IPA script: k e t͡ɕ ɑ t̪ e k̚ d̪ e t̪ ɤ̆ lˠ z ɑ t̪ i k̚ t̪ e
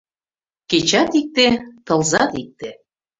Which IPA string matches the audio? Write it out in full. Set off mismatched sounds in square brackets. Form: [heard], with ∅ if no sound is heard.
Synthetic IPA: k e t͡ɕ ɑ t̪ [i] k̚ [t̪] e t̪ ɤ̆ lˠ z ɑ t̪ i k̚ t̪ e